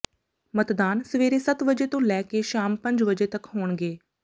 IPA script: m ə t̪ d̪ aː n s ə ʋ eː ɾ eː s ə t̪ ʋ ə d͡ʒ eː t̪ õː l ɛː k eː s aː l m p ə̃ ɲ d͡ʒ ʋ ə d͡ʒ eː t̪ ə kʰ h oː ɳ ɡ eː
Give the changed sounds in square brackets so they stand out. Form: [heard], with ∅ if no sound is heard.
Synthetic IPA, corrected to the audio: m ə t̪ d̪ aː n s ə ʋ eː ɾ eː s ə t̪ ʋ ə d͡ʒ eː t̪ õː l ɛː k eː [ʃ] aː [∅] m p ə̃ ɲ d͡ʒ ʋ ə d͡ʒ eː t̪ ə [k] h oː ɳ ɡ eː

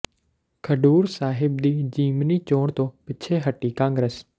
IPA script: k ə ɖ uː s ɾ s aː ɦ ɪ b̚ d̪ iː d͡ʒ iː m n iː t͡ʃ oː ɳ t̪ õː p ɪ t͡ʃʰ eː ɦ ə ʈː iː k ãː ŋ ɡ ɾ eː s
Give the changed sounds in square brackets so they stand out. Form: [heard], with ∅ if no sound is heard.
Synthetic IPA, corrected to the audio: [kʰ] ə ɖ uː [∅] ɾ s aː ɦ ɪ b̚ d̪ iː d͡ʒ iː m n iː t͡ʃ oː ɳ t̪ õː p ɪ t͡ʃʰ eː ɦ ə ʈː iː k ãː ŋ ɡ ɾ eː s

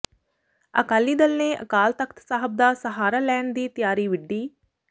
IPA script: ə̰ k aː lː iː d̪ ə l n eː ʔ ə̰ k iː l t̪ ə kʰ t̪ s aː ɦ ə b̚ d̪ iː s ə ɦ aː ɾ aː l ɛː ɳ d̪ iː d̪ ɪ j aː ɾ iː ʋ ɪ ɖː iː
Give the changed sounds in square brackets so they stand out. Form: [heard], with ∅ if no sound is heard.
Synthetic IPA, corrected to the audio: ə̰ k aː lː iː d̪ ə l n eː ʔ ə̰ k [aː] l t̪ ə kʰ t̪ s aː ɦ ə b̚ d̪ [aː] s ə ɦ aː ɾ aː l ɛː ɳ d̪ iː [t̪] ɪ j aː ɾ iː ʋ ɪ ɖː iː

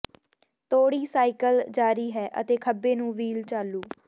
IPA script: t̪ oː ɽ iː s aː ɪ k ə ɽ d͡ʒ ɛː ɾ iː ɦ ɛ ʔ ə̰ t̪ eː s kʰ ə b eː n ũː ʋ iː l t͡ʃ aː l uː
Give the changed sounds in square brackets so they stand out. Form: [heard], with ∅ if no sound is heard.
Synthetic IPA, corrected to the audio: t̪ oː ɽ iː s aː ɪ k ə [l] d͡ʒ [aː] ɾ iː ɦ [ɛː] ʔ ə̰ t̪ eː [∅] kʰ ə b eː n ũː ʋ iː l t͡ʃ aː l uː

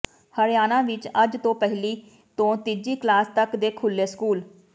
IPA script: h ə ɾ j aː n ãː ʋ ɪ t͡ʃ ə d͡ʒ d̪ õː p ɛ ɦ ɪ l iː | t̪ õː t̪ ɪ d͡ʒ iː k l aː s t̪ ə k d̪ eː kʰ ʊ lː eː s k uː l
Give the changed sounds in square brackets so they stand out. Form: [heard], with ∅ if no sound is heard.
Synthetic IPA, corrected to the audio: h ə ɾ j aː n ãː ʋ ɪ t͡ʃ ə d͡ʒ [t̪] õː p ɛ ɦ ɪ l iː | t̪ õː t̪ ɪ d͡ʒ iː k l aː s t̪ ə k d̪ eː kʰ ʊ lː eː s k uː l

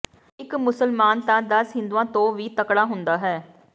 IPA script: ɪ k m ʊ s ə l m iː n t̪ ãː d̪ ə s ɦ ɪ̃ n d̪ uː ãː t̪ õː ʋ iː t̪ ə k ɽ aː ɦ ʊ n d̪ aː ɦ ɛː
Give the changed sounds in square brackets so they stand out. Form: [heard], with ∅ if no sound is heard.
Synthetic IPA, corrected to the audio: ɪ k m ʊ s ə l m [aː] n t̪ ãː d̪ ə s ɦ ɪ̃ n d̪ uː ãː t̪ õː ʋ iː t̪ ə k ɽ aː ɦ ʊ n d̪ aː ɦ ɛː

